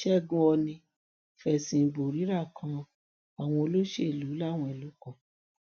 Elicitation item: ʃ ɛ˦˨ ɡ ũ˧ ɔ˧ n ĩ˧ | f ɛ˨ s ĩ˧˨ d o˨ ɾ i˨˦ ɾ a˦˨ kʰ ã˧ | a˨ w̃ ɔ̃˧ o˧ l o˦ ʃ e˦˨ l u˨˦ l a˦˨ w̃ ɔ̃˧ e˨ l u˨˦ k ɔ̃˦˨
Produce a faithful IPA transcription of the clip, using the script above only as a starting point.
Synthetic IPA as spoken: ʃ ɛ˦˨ ɡ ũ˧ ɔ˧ n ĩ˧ | f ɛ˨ s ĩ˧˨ b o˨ ɾ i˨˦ ɾ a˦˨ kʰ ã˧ | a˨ w̃ ɔ̃˧ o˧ l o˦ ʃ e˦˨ l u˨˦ l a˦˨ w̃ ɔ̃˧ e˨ l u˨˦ k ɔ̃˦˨